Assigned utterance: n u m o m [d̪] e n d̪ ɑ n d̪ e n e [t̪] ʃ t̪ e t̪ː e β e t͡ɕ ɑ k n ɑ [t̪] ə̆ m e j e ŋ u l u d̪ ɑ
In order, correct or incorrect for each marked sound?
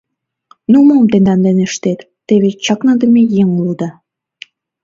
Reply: incorrect: t̪, incorrect: none, incorrect: d̪

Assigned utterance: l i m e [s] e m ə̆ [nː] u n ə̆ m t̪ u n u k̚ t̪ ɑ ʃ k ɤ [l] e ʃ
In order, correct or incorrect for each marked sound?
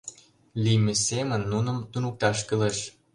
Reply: correct, correct, correct

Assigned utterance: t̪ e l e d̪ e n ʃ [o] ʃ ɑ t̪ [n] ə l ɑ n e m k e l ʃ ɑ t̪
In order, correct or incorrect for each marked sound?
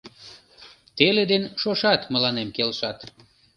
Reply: correct, incorrect: m

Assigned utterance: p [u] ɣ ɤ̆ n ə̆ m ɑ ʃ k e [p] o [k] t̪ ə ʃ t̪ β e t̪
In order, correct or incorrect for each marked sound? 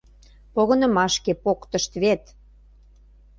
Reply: incorrect: o, correct, correct

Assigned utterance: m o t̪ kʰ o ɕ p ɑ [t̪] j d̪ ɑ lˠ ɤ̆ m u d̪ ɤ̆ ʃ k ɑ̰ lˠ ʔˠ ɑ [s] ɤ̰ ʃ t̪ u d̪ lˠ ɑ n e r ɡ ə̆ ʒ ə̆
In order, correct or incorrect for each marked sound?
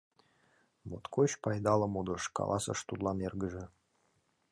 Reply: incorrect: none, correct

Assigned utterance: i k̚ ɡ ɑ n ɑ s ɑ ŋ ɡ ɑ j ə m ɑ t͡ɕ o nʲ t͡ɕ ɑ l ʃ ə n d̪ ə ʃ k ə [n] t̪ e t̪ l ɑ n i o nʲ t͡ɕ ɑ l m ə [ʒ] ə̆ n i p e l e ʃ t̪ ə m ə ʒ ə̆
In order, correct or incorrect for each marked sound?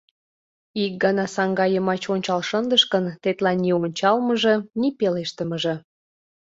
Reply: correct, correct

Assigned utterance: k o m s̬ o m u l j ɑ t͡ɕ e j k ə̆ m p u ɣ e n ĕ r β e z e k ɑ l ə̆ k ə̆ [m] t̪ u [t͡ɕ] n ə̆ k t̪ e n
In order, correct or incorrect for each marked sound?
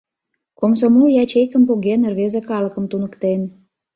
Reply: correct, incorrect: none

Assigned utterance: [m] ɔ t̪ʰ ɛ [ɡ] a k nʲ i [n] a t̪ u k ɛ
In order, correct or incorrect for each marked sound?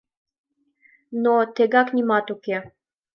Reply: incorrect: n, correct, incorrect: m

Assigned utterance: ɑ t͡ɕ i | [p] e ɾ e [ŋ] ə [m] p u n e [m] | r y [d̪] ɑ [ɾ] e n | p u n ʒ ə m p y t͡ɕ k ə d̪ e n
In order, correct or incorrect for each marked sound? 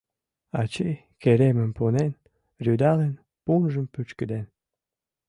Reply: incorrect: k, incorrect: m, correct, incorrect: n, correct, incorrect: l

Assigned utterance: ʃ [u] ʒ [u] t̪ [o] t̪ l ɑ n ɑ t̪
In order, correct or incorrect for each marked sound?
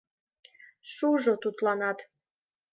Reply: correct, incorrect: o, incorrect: u

